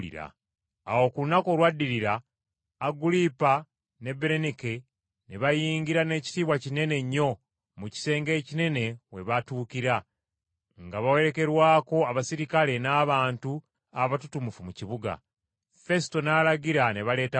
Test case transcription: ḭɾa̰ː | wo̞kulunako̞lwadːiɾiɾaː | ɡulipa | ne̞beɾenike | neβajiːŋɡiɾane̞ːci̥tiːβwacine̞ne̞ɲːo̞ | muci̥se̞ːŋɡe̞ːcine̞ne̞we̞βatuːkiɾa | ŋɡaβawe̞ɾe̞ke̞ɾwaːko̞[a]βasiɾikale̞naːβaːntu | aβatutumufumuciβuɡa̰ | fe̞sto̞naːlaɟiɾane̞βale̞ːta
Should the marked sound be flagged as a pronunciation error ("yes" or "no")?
no